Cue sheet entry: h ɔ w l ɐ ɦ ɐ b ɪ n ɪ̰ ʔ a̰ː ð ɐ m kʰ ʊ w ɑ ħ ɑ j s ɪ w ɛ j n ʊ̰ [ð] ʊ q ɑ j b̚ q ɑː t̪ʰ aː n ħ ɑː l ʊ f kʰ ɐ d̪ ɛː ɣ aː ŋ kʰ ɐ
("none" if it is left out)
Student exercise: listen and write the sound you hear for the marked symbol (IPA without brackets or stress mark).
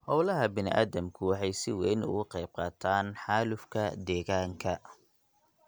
ɣ